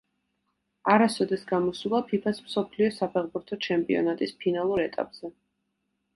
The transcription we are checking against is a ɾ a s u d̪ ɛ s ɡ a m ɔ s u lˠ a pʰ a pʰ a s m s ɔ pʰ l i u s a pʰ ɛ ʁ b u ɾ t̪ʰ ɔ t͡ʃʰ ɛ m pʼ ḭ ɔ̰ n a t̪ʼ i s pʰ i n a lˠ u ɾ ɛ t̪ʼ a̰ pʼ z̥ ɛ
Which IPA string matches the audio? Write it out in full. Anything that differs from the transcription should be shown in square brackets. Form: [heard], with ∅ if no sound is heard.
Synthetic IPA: a ɾ a s [ɔ] d̪ ɛ s ɡ a m ɔ s u lˠ a pʰ [i] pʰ a s m s ɔ pʰ l i [ɔ] s a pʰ ɛ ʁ b u ɾ t̪ʰ ɔ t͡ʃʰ ɛ m pʼ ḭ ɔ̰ n a t̪ʼ i s pʰ i n a lˠ u ɾ ɛ t̪ʼ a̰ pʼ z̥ ɛ